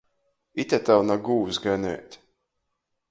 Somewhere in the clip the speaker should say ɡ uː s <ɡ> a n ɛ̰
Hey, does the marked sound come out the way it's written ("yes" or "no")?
yes